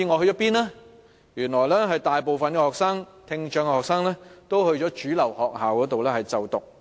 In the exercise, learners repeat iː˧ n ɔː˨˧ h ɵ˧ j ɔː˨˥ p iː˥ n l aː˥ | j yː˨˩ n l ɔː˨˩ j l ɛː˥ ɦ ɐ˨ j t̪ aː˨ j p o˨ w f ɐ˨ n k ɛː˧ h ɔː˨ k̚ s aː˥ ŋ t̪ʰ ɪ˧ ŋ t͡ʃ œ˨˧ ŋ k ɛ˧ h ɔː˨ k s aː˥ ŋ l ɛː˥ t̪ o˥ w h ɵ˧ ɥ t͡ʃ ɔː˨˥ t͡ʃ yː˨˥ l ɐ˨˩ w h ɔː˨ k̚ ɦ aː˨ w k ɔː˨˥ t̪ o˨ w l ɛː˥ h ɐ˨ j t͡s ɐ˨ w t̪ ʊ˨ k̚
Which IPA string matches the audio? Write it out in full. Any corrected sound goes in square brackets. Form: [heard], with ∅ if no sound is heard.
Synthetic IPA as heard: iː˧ [ŋ] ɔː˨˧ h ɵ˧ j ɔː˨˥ p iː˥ n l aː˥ | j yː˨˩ n l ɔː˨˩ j l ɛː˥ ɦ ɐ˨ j t̪ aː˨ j p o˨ w f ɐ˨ n k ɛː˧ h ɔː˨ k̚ s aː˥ ŋ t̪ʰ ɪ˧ ŋ t͡ʃ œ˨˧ ŋ k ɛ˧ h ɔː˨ k s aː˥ ŋ l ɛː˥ t̪ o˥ w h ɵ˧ ɥ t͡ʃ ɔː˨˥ t͡ʃ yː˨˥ l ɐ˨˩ w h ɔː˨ k̚ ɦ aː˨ w k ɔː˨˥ t̪ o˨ w l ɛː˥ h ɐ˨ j t͡s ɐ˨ w t̪ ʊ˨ k̚